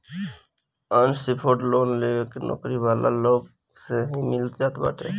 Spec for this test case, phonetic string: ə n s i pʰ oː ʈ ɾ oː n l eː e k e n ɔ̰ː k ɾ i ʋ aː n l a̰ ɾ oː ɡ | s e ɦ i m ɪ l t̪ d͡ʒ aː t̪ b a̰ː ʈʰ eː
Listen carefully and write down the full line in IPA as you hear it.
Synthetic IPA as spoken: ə n s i pʰ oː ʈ l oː n l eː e k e n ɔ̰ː k ɾ i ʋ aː l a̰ l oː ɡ | s e ɦ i m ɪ l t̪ d͡ʒ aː t̪ b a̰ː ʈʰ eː